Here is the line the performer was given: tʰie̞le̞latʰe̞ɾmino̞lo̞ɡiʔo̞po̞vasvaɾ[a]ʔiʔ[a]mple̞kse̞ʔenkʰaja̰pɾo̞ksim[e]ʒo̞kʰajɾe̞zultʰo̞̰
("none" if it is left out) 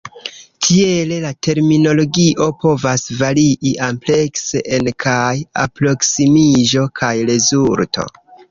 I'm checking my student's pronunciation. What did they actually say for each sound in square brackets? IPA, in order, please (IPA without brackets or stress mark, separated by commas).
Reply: i, a, i